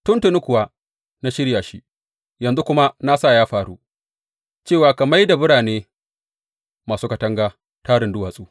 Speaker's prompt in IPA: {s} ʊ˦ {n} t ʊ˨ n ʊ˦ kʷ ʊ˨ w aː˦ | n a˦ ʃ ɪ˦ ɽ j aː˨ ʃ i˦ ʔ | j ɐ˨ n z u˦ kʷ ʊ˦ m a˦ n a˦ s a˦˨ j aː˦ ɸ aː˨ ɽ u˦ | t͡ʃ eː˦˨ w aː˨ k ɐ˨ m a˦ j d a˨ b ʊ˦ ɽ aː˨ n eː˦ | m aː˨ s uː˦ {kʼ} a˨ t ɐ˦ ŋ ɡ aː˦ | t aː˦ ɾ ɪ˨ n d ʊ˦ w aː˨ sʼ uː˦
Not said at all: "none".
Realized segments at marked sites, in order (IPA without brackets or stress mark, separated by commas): t, n, k